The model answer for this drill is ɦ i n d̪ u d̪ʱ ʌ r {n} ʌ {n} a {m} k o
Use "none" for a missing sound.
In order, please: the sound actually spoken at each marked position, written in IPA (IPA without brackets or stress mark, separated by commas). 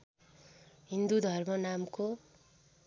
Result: m, n, m